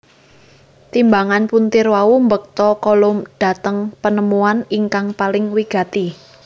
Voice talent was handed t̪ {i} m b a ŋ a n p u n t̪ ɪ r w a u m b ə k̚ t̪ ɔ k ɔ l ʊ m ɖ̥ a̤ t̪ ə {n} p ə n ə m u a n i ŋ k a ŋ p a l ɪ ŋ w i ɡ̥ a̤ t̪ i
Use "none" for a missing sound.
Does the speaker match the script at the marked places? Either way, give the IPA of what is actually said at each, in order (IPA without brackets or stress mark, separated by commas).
i, ŋ